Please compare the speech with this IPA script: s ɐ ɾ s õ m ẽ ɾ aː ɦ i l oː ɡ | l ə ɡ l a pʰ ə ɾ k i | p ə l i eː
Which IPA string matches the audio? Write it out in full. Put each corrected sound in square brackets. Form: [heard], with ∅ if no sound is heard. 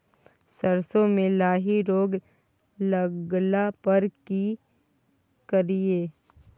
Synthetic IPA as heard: s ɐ ɾ s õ m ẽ [l] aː ɦ i [ɾ] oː ɡ | l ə ɡ l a [p] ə ɾ k i | [k] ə [ɾ] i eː